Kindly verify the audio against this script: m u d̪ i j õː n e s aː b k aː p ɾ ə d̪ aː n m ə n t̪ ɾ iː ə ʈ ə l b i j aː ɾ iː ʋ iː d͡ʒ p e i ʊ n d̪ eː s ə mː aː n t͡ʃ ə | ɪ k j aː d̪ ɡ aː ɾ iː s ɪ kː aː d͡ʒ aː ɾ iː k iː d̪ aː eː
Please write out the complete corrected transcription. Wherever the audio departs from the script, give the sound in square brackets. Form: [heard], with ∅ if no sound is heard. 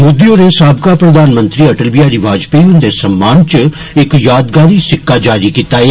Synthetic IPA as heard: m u d̪ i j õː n e s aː b k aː p ɾ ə d̪ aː n m ə n t̪ ɾ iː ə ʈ ə l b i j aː ɾ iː ʋ [aː] d͡ʒ p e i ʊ n d̪ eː s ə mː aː n t͡ʃ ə | ɪ k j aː d̪ ɡ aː ɾ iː s ɪ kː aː d͡ʒ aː ɾ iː k iː [t̪] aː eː